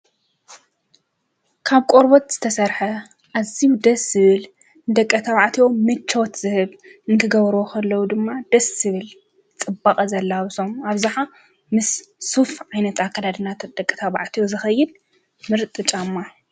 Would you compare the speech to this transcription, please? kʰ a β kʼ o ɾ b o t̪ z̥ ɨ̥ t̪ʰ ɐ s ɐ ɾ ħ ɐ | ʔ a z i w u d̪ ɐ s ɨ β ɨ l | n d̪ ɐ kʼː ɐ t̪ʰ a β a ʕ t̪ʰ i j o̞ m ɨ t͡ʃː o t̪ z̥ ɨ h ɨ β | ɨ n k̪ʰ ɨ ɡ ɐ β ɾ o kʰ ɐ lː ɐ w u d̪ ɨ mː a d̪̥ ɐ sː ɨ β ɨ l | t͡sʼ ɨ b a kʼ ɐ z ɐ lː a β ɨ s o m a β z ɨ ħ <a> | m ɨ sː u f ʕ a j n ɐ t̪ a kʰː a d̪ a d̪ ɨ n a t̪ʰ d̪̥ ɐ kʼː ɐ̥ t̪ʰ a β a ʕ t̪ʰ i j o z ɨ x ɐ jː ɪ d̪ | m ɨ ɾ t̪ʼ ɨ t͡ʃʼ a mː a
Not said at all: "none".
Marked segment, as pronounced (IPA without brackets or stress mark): a